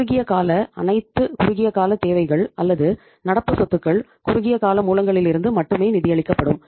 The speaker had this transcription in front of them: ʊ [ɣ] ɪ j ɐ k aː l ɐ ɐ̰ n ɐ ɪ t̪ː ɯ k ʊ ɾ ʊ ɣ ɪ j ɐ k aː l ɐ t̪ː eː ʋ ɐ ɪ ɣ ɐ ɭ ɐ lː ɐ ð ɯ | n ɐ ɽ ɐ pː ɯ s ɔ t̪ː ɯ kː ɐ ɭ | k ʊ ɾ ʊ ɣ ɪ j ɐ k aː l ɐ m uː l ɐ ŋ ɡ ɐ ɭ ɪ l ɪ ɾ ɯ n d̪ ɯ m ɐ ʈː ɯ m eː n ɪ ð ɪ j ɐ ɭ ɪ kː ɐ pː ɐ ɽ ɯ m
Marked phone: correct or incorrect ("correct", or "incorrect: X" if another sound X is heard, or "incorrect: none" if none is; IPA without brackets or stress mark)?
correct